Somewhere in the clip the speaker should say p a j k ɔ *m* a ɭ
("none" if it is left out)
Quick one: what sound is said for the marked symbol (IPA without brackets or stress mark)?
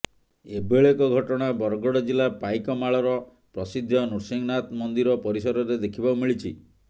m